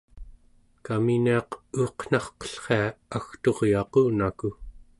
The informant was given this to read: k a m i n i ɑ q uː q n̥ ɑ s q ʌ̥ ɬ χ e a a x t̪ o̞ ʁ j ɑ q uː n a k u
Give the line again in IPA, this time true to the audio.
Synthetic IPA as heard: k a m i n i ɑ q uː q n̥ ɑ χ q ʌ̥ ɬ χ e a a x t̪ o̞ ʁ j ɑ q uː n a k u